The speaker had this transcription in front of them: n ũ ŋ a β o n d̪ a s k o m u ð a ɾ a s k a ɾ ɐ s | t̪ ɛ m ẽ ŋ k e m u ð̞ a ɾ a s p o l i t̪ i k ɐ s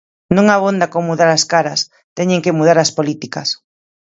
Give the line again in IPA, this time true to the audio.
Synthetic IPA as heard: n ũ ŋ a β o n d̪ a k o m u ð a ɾ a s k a ɾ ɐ s | t̪ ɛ ɲ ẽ ŋ k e m u ð̞ a ɾ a s p o l i t̪ i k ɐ s